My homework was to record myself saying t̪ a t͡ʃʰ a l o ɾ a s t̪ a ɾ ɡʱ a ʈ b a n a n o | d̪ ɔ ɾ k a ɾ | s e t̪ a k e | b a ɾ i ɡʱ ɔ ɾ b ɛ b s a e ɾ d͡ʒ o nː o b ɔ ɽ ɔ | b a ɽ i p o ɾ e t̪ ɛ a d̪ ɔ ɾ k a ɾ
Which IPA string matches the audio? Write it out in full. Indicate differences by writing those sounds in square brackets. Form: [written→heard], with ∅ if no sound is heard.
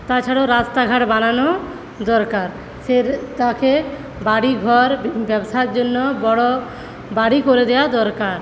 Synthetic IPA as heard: t̪ a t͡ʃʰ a [l→ɽ] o ɾ a s t̪ a [ɾ→∅] ɡʱ a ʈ b a n a n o | d̪ ɔ ɾ k a ɾ | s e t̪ a k e | b a [ɾ→ɽ] i ɡʱ ɔ ɾ b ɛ b s a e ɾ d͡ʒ o nː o b ɔ ɽ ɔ | b a ɽ i [p→k] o ɾ e [t̪→d̪] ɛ a d̪ ɔ ɾ k a ɾ